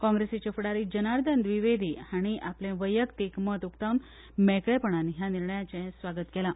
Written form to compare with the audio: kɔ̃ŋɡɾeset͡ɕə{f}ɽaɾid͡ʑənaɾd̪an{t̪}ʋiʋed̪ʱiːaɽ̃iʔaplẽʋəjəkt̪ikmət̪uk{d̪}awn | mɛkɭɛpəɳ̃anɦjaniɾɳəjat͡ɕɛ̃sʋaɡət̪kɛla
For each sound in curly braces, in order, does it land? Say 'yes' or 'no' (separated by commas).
yes, no, no